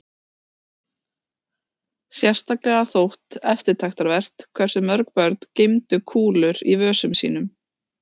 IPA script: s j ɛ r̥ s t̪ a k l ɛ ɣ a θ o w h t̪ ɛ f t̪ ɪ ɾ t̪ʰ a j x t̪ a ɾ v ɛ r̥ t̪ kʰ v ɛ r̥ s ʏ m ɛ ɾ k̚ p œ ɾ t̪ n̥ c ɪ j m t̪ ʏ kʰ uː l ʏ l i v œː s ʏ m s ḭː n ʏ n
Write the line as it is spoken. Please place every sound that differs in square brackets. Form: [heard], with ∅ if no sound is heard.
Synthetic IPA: s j ɛ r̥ s t̪ a k l ɛ ɣ a θ o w h t̪ ɛ f t̪ ɪ ɾ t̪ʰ a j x t̪ a ɾ v ɛ r̥ t̪ kʰ v ɛ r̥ s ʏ m [œ] ɾ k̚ p œ ɾ t̪ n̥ c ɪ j m t̪ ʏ kʰ uː l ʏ [ɾ] i v œː s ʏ m s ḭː n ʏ [m]

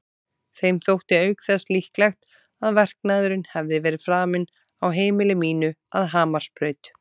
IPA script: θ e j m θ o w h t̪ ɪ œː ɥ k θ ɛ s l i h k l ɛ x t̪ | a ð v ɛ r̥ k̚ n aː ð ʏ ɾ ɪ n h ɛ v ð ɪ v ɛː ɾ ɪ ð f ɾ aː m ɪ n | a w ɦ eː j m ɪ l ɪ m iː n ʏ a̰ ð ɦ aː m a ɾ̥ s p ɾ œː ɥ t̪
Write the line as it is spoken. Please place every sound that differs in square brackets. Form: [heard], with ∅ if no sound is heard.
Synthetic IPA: θ e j m θ o w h t̪ ɪ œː ɥ k θ ɛ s l i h k l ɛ x t̪ | a ð v ɛ r̥ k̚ n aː ð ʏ ɾ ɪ n h ɛ v ð ɪ v ɛː ɾ ɪ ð f ɾ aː m ɪ n | a w ɦ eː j m ɪ l ɪ m iː n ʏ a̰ ð ɦ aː m a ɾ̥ s p ɾ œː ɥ t̪

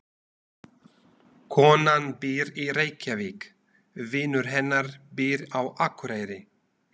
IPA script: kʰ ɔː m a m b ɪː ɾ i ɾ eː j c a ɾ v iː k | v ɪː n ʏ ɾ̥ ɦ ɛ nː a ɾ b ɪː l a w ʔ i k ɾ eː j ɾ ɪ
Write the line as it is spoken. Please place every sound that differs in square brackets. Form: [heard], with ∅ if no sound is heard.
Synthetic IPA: kʰ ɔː [n] a [n] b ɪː ɾ i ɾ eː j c a [∅] v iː k | v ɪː n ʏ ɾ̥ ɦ ɛ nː a ɾ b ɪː [ɾ] a w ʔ [a] k ɾ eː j ɾ ɪ

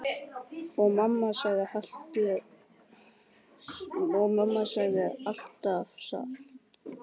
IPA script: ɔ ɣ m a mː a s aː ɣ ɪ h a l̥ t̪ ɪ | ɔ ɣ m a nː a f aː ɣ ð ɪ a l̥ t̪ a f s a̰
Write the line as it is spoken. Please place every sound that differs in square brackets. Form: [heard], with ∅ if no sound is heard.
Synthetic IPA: ɔ ɣ m a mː a s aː ɣ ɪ h a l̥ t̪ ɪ | ɔ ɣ m a [mː] a [s] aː ɣ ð ɪ a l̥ t̪ a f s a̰

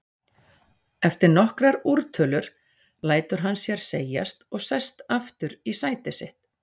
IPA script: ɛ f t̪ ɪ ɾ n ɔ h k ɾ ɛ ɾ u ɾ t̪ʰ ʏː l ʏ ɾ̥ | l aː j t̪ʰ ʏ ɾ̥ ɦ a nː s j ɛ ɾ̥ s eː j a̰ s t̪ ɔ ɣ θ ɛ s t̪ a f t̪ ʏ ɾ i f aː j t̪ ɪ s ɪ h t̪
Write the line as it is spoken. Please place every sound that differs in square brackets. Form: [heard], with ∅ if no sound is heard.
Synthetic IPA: ɛ f t̪ ɪ ɾ n ɔ h k ɾ [a] ɾ u ɾ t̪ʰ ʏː l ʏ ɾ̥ | l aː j [t̪] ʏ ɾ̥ ɦ a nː s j ɛ ɾ̥ s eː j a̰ s t̪ ɔ ɣ [s] ɛ s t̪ a f t̪ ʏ ɾ i [s] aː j t̪ ɪ s ɪ h t̪

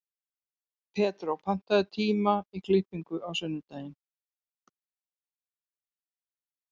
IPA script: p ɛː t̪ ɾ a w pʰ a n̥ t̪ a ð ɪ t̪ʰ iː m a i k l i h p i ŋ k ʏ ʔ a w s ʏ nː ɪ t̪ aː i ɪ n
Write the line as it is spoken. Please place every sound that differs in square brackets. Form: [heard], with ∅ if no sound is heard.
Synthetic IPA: [pʰ] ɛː t̪ ɾ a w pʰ a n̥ t̪ a ð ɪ t̪ʰ iː m a i k l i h p i ŋ k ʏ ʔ a w s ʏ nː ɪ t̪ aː [j] ɪ n

